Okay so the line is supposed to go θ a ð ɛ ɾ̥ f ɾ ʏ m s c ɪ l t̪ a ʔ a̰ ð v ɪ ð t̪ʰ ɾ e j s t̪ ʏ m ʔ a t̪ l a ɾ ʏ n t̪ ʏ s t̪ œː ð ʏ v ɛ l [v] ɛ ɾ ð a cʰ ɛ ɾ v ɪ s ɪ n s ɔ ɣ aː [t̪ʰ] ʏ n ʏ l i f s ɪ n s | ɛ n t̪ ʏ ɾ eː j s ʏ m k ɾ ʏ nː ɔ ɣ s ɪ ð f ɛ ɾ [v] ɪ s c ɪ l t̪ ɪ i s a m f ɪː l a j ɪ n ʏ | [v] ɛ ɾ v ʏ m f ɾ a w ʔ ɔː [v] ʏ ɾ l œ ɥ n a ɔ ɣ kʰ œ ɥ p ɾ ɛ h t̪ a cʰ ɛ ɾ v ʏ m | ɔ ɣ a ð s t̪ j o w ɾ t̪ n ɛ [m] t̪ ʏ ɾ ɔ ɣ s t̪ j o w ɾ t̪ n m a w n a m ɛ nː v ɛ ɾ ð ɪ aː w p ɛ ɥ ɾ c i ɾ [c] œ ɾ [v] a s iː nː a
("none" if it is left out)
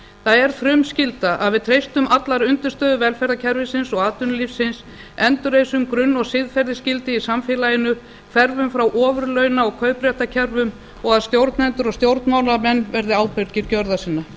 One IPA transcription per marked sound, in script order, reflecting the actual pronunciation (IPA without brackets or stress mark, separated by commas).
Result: f, t̪, ð, f, v, n, c, ð